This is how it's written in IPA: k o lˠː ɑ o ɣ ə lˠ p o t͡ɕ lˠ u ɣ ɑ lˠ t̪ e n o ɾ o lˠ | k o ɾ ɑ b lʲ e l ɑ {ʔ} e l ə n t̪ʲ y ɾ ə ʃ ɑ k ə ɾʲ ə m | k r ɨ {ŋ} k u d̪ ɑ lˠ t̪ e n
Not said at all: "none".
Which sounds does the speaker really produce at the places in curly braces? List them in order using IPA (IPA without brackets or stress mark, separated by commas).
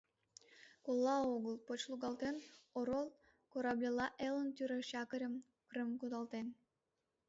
ʔ, m